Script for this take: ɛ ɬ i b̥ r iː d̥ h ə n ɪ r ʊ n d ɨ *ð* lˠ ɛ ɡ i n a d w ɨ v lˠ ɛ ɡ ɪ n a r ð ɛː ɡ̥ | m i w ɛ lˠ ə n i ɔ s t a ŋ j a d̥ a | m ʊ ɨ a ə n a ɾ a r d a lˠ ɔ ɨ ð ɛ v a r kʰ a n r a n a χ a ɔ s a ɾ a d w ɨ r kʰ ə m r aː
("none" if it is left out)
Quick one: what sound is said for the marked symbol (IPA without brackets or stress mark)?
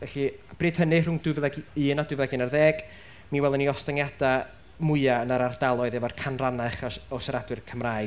v